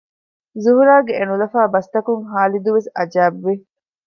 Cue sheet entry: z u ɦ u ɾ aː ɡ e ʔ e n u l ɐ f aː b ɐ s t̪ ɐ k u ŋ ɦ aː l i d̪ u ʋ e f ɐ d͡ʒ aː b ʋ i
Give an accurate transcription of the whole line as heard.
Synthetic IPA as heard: z u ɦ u ɾ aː ɡ e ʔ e n u l ɐ f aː b ɐ s t̪ ɐ k u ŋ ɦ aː l i d̪ u ʋ e s ɐ d͡ʒ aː b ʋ i